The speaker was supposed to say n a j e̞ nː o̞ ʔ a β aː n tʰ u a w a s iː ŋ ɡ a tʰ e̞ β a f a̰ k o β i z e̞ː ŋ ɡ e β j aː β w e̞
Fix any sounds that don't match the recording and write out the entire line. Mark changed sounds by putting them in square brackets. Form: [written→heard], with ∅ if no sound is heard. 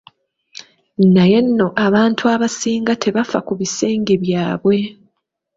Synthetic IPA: n a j e̞ nː o̞ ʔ a β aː n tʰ u a [w→β] a s iː ŋ ɡ a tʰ e̞ β a f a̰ k [o→u] β i [z→s] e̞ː ŋ ɡ e β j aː β w e̞